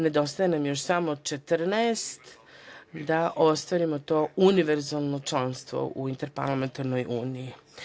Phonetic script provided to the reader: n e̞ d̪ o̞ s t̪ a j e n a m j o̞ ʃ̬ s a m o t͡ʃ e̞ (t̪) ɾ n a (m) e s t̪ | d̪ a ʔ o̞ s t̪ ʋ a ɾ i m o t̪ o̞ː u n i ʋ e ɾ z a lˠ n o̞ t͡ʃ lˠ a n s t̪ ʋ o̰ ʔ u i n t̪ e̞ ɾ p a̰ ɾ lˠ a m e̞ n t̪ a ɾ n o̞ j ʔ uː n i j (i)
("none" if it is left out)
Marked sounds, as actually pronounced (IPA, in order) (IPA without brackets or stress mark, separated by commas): t̪, none, i